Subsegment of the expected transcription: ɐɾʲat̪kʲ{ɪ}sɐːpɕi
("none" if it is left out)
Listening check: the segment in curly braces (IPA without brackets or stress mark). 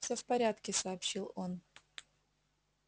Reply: ɪ